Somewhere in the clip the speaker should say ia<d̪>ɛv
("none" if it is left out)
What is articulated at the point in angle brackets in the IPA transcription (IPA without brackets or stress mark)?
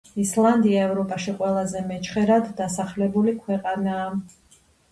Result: none